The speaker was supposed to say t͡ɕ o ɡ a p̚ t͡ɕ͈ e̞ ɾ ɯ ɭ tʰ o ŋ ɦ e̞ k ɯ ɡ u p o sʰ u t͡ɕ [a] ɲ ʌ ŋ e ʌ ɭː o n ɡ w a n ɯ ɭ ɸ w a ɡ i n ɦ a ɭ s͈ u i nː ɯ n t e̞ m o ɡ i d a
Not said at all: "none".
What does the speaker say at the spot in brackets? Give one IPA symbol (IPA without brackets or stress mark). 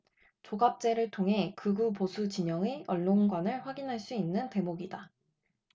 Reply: i